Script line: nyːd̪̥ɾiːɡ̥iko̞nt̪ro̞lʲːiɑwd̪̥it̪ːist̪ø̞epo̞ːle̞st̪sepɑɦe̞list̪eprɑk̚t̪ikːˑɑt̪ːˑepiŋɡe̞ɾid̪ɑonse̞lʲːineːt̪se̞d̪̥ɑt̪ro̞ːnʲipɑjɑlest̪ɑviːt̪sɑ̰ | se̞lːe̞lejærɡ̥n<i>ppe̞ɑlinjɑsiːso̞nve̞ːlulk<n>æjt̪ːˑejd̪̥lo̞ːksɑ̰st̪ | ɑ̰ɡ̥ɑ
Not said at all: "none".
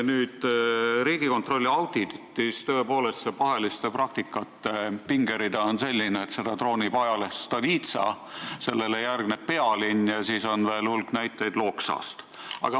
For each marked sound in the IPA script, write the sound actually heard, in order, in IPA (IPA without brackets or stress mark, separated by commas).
e, n